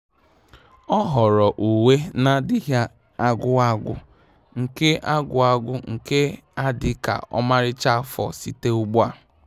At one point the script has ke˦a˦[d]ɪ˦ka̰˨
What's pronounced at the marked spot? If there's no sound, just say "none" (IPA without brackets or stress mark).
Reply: d